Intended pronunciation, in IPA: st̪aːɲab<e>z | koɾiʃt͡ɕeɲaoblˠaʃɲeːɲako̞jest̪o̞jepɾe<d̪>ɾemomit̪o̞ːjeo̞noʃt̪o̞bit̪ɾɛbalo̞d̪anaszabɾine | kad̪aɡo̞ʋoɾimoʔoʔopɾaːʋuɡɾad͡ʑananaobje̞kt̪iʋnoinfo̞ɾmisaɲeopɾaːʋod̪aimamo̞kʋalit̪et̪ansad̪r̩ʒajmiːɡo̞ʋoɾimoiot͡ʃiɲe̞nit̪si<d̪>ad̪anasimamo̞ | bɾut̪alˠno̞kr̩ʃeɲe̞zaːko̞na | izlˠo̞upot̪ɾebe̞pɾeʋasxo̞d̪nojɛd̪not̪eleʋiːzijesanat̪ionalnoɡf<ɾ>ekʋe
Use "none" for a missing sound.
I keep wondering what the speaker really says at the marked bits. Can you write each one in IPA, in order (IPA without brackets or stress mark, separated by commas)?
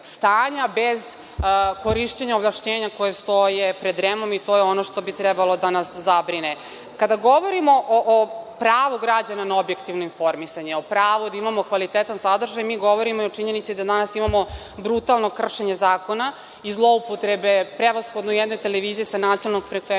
e, d̪, d̪, ɾ